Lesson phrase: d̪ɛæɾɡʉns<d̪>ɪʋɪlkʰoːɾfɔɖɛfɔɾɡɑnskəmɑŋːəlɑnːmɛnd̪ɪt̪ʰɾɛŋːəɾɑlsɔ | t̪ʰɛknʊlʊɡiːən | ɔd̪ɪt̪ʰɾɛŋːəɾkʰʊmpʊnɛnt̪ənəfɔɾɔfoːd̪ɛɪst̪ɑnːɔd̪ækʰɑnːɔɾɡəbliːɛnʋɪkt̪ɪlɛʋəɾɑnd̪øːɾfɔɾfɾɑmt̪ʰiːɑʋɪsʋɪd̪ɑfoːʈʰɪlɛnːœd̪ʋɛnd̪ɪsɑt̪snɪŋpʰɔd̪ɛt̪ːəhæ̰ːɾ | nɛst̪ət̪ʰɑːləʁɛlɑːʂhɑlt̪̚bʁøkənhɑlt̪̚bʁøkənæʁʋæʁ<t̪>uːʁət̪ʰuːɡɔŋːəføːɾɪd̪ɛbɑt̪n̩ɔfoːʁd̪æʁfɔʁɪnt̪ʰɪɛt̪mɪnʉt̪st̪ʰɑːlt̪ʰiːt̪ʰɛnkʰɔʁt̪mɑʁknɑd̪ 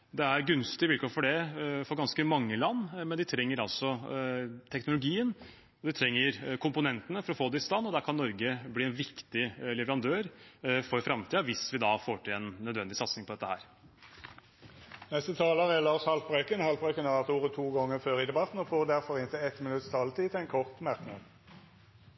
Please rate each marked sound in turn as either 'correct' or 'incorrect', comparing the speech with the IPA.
incorrect, correct

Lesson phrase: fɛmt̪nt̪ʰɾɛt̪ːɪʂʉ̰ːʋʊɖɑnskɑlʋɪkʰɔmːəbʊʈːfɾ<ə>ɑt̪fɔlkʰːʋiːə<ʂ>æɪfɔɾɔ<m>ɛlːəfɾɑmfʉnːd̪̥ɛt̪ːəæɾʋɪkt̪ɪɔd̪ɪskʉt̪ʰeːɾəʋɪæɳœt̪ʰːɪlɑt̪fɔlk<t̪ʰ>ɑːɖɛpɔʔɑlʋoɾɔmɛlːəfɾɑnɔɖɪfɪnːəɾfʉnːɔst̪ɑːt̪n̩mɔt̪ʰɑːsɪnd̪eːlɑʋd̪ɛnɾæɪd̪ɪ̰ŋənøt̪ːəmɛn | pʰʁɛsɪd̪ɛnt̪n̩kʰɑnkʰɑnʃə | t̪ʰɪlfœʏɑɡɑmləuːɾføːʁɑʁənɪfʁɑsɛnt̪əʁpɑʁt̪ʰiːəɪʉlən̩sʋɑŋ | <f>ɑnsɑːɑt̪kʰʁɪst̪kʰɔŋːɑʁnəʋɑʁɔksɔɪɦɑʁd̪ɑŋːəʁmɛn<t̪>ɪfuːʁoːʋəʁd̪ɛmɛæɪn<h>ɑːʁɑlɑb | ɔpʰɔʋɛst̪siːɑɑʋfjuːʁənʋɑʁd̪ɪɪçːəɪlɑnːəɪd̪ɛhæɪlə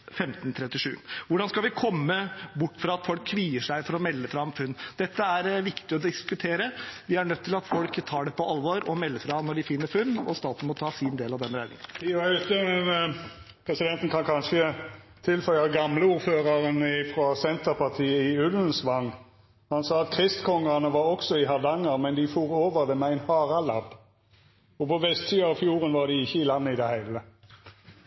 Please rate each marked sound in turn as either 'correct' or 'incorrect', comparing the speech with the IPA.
incorrect, correct, correct, correct, incorrect, incorrect, correct

